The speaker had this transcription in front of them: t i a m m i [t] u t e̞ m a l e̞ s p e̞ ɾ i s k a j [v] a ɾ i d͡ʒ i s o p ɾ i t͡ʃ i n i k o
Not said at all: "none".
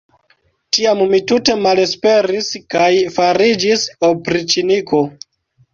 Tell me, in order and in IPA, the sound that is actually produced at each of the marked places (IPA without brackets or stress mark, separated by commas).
t, f